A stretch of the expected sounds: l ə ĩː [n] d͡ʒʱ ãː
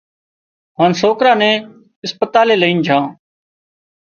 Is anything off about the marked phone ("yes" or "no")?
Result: no